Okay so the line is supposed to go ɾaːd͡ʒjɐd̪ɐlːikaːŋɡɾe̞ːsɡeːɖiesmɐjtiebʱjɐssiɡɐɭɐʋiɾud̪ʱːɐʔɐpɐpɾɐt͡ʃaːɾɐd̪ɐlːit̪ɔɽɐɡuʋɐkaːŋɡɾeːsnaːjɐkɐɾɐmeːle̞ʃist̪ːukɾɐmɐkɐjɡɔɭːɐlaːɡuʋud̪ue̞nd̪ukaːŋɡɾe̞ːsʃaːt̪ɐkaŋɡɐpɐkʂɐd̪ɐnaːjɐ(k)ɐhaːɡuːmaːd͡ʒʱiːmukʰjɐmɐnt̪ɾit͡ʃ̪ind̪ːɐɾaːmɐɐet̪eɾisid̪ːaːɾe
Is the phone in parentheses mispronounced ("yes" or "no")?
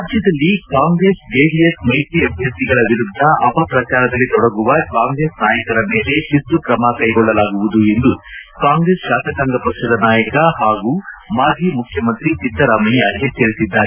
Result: no